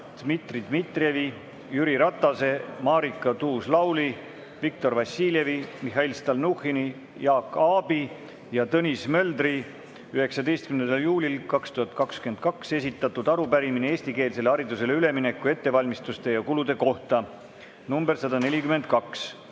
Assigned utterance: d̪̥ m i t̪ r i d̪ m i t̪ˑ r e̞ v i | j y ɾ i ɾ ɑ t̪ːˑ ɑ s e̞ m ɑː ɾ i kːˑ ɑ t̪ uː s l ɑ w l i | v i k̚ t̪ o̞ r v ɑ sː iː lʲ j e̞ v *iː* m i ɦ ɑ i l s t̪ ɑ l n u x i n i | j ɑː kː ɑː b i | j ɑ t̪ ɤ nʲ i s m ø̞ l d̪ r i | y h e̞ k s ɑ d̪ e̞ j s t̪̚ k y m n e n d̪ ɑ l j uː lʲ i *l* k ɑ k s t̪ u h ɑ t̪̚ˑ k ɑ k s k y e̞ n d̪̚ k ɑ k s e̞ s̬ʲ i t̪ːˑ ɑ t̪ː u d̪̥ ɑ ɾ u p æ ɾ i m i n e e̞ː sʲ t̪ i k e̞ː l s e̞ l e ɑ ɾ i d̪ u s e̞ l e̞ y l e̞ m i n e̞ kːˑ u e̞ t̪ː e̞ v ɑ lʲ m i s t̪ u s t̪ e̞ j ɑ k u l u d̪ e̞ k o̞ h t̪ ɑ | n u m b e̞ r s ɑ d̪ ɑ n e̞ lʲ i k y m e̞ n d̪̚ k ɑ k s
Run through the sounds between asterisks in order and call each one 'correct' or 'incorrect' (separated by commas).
incorrect, correct